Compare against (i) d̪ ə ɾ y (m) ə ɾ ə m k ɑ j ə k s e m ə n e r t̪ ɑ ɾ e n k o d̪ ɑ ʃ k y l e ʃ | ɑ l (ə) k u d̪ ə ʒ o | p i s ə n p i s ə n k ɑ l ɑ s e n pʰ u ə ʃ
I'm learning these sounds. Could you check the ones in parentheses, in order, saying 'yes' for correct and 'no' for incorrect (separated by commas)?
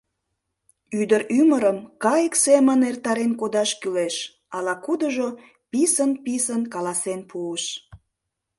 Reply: no, yes, no